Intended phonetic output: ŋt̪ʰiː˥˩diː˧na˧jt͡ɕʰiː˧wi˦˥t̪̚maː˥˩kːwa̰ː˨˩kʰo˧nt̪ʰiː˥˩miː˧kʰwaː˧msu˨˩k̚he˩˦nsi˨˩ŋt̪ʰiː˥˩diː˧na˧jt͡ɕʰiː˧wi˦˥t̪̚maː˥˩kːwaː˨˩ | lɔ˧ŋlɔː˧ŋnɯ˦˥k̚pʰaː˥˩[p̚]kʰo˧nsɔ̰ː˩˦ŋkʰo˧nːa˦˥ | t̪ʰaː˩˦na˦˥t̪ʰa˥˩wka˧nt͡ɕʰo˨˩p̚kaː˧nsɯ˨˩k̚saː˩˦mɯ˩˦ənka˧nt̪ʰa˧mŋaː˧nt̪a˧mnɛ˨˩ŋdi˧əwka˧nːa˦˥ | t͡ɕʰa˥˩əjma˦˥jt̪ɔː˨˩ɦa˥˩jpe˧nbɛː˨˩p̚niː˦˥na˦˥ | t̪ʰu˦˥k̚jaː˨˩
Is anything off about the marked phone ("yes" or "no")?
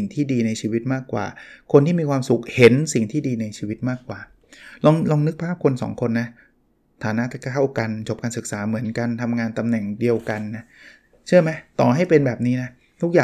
no